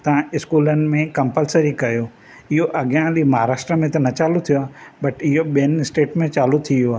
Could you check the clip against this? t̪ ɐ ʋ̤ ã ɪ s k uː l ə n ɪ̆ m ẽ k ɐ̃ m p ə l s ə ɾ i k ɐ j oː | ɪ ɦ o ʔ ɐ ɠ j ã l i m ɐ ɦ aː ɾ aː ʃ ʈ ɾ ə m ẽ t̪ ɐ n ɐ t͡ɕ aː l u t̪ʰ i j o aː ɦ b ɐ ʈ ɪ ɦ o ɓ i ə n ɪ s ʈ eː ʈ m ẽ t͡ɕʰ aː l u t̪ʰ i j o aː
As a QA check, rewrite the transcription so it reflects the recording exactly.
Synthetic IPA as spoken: t̪ ɐ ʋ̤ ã ɪ s k uː l ə n ɪ̆ m ẽ k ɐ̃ m p ə l s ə ɾ i k ɐ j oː | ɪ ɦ o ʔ ɐ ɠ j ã l i m ɐ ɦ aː ɾ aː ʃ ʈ ɾ ə m ẽ t̪ ɐ n ɐ t͡ɕ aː l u t̪ʰ i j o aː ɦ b ɐ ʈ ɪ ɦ o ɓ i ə n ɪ s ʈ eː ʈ m ẽ t͡ɕ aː l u t̪ʰ i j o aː